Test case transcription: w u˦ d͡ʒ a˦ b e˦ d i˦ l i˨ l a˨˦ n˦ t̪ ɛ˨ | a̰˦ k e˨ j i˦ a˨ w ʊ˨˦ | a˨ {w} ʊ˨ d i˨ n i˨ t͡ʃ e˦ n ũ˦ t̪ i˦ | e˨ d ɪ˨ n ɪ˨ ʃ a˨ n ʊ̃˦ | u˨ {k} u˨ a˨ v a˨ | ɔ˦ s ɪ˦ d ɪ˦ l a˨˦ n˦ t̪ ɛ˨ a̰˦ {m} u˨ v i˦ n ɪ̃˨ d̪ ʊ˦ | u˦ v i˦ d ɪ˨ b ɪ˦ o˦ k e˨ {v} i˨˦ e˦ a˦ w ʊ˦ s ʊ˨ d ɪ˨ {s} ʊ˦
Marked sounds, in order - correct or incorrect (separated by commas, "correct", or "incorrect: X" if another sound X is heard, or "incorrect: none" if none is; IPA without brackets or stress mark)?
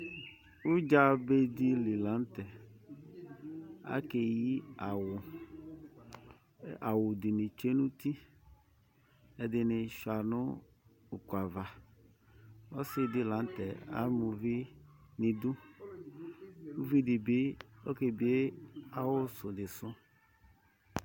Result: correct, correct, correct, incorrect: b, correct